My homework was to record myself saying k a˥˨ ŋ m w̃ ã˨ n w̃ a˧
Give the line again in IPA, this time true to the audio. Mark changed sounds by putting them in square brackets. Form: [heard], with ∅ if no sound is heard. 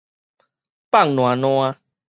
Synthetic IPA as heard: [p] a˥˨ ŋ [n] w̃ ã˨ n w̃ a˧